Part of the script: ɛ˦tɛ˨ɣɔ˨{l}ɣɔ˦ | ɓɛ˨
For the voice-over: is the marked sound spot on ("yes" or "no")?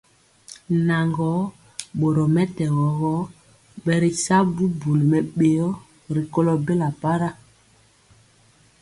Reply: no